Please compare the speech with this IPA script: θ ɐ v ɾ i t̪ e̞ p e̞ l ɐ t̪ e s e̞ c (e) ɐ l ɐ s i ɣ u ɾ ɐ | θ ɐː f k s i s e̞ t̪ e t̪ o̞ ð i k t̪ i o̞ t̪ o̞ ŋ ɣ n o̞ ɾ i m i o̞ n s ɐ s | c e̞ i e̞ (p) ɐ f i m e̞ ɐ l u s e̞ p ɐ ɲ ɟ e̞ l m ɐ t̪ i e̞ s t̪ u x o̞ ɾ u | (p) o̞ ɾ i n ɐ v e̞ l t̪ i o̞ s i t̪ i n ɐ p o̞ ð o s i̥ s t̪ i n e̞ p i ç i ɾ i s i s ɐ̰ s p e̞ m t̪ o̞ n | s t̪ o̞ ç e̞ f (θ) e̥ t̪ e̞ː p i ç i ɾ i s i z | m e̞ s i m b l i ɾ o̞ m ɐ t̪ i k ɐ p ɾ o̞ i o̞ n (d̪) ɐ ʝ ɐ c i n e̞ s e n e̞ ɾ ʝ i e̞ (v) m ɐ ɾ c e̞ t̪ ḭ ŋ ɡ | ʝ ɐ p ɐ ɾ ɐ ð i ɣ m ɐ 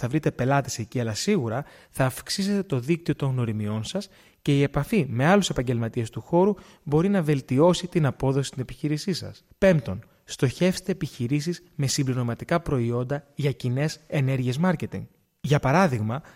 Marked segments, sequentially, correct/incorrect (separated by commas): incorrect, correct, incorrect, incorrect, correct, incorrect